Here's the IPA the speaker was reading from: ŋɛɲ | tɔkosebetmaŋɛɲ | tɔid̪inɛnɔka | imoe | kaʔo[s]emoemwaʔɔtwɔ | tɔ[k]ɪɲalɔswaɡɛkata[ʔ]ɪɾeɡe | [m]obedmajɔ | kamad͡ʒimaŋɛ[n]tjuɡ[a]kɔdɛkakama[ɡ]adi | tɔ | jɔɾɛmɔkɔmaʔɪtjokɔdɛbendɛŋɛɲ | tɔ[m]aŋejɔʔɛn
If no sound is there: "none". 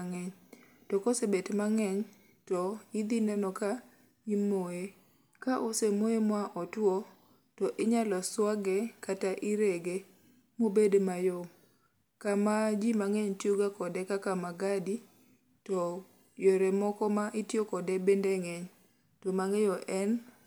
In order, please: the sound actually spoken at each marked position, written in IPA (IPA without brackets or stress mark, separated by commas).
s, ʔ, ʔ, m, ɲ, a, ɡ, m